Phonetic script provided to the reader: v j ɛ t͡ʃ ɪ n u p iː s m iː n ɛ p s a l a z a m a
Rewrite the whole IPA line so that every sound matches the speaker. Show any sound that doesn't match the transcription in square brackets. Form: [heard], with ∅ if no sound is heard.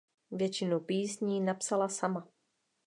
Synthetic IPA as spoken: v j ɛ t͡ʃ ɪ n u p iː s [ɲ] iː n [a] p s a l a [s] a m a